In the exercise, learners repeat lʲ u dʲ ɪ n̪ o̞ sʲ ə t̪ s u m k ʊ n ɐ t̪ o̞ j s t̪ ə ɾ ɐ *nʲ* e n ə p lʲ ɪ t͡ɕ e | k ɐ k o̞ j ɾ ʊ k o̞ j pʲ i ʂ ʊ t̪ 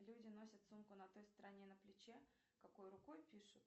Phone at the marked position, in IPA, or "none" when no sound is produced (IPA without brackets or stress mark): nʲ